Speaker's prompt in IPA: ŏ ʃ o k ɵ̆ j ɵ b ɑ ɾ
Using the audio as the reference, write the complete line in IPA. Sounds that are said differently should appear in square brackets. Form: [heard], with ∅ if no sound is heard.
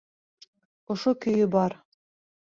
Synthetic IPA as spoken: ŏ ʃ o k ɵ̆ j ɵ b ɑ ɾ